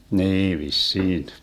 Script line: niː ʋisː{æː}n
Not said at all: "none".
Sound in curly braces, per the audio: iː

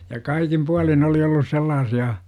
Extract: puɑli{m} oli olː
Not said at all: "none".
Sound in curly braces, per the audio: n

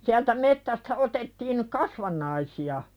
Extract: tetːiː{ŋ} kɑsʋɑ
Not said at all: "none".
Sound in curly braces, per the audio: n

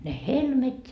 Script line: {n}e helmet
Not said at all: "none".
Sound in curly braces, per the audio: n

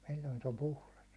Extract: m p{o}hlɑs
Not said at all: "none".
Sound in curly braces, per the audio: u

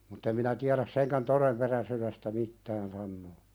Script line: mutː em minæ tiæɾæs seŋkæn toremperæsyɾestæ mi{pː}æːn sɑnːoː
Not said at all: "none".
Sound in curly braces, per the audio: tː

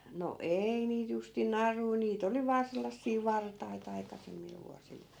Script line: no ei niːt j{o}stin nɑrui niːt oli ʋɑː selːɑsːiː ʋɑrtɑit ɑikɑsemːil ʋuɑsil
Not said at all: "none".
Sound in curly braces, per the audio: u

